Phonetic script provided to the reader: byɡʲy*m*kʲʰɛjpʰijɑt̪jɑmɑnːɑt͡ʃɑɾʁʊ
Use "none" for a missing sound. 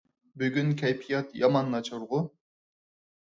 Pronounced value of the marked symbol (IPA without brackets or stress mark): n